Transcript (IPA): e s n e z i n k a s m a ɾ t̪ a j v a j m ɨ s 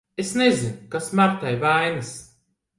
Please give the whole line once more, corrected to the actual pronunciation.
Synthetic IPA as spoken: e s n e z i n k a s m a ɾ t̪ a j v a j n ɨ s